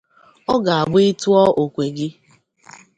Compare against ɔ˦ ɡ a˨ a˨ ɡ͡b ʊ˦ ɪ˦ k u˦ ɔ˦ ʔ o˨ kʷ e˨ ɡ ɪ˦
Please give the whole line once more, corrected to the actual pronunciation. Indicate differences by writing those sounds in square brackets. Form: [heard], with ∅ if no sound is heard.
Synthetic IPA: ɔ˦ ɡ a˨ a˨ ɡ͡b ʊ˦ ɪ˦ [t] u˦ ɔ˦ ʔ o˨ kʷ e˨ ɡ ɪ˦